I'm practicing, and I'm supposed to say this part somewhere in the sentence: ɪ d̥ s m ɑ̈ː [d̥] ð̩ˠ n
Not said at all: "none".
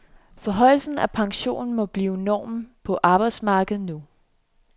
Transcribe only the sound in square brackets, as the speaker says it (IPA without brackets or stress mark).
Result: ɡ̥